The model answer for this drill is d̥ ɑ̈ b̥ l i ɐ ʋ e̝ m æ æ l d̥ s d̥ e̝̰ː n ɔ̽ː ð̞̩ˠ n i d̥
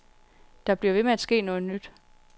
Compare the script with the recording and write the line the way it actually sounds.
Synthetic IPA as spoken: d̥ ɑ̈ b̥ l i ɐ ʋ e̝ m e æ d̥ s ɡ̥ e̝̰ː n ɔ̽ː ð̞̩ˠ n y d̥